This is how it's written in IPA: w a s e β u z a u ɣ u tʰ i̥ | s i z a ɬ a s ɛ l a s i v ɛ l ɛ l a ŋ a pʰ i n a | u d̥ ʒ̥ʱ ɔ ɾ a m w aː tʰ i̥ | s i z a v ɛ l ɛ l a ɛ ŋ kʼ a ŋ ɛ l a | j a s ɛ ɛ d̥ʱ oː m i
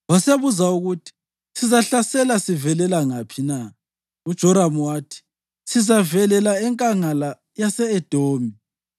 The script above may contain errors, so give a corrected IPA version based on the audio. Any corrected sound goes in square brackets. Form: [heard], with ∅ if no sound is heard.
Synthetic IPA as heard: w a s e β u z a u ɣ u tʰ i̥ | s i z a ɬ a s ɛ l a s i v ɛ l ɛ l a ŋ a pʰ i n a | u d̥ ʒ̥ʱ ɔ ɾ a m w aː tʰ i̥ | s i z a v ɛ l ɛ l a ɛ ŋ kʼ a ŋ [a] l a | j a s ɛ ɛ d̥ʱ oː m i